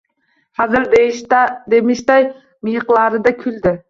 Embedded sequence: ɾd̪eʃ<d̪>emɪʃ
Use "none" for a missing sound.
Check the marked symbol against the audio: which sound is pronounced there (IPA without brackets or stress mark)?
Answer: d̪